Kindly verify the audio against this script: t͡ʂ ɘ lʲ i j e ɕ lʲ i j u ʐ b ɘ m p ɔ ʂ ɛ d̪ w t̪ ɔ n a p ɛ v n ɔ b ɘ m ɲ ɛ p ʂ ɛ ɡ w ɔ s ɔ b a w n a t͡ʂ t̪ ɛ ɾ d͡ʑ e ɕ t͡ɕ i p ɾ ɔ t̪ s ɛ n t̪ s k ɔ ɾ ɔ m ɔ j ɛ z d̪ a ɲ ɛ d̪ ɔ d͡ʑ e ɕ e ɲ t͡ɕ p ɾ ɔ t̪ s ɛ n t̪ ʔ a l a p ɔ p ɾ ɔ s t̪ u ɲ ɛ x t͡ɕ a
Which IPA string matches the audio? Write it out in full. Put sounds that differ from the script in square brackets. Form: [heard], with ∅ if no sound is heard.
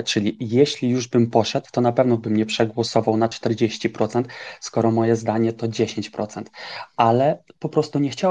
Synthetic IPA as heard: t͡ʂ ɘ lʲ i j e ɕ lʲ i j u ʐ b ɘ m p ɔ ʂ ɛ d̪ w t̪ ɔ n a p ɛ v n ɔ b ɘ m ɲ ɛ p ʂ ɛ ɡ w ɔ s ɔ [v] a w n a t͡ʂ t̪ ɛ ɾ d͡ʑ e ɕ t͡ɕ i p ɾ ɔ t̪ s ɛ n t̪ s k ɔ ɾ ɔ m ɔ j ɛ z d̪ a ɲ ɛ [t̪] ɔ d͡ʑ e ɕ e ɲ t͡ɕ p ɾ ɔ t̪ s ɛ n t̪ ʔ a l [ɛ] p ɔ p ɾ ɔ s t̪ u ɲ ɛ x t͡ɕ a